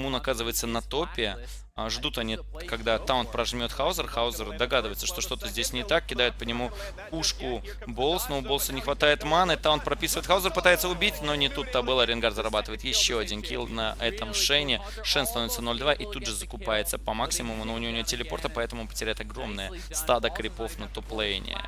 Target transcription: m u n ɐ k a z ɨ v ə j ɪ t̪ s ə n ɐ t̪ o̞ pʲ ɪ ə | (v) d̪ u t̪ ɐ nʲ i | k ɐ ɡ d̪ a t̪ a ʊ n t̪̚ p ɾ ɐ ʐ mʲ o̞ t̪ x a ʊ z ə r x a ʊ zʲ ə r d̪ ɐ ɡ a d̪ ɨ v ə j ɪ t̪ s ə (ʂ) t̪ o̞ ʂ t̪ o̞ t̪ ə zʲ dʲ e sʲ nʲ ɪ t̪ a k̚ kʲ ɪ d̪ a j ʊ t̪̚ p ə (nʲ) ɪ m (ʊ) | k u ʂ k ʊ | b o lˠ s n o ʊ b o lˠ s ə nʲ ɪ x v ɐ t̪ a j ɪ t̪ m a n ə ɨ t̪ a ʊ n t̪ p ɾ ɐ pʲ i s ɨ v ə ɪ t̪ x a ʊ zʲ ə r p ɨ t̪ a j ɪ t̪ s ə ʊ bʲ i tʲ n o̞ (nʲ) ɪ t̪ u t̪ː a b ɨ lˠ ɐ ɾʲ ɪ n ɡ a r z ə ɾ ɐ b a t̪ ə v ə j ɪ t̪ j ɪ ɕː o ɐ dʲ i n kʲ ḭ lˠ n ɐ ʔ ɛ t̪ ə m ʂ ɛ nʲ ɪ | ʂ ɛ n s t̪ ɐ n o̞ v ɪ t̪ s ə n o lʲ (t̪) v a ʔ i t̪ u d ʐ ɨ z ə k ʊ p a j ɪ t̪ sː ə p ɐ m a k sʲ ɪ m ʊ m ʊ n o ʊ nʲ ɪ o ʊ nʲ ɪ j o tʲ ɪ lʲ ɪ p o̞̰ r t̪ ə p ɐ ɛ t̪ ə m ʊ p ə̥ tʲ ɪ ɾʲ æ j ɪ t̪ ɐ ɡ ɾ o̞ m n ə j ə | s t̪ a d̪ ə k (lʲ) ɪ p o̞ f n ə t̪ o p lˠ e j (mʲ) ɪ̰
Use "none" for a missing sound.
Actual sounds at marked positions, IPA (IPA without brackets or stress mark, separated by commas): ʐ, ʂ, nʲ, u, nʲ, d̪, ɾʲ, nʲ